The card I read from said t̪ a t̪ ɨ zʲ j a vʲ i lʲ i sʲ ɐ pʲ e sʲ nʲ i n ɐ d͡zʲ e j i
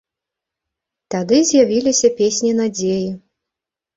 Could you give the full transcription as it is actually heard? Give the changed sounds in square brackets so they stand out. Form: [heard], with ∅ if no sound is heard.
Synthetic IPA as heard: t̪ a [d̪] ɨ zʲ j a vʲ i lʲ i sʲ ɐ pʲ e sʲ nʲ i n [a] d͡zʲ e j i